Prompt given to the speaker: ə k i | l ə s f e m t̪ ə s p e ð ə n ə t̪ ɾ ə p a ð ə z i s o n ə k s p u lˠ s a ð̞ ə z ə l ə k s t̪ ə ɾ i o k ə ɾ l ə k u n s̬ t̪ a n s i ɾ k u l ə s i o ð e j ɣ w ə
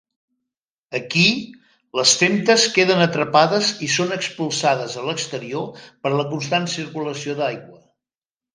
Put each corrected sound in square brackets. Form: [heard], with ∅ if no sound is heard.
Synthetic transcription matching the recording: ə k i | l ə s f e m t̪ ə s [k] e ð ə n ə t̪ ɾ ə p a ð ə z i s o n ə k s p u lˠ s a ð̞ ə z ə l ə k s t̪ ə ɾ i o [p] ə ɾ l ə k u n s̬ t̪ a n s i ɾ k u l ə s i o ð [a] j ɣ w ə